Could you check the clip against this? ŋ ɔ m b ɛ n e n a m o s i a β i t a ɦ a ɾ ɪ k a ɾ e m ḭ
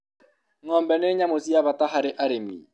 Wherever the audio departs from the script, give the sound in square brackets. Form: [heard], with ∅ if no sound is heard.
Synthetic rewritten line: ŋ ɔ m b ɛ n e [ɲ] a m o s i a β [a] t a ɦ a ɾ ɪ [ʔ] a ɾ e m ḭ